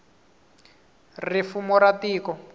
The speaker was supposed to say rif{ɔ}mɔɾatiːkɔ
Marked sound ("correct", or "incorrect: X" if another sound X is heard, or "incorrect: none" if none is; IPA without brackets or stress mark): incorrect: u